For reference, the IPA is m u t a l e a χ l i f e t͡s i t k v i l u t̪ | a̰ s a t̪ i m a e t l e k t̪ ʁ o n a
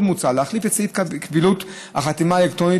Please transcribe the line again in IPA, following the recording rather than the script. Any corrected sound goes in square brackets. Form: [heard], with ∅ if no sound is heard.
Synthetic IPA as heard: m u [t͡s] a l e a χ l i f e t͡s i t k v i l u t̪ | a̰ [χ] a t̪ i m a e [∅] l e k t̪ ʁ o n [i]